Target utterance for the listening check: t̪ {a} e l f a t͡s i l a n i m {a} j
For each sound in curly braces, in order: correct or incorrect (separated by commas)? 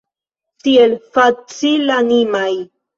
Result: incorrect, correct